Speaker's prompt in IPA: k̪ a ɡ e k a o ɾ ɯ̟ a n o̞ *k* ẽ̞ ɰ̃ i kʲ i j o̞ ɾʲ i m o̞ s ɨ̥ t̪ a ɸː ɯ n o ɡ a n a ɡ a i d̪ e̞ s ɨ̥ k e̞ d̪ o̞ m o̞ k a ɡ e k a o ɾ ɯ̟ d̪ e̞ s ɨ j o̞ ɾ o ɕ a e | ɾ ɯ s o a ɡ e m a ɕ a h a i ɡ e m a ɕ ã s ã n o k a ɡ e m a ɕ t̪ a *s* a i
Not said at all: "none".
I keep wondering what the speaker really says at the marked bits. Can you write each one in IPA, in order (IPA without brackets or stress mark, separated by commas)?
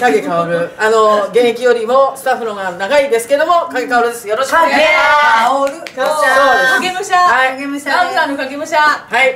ɡ, h